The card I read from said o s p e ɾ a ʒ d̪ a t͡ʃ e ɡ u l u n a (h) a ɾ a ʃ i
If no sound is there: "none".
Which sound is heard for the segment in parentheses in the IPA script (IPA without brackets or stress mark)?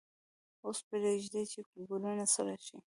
s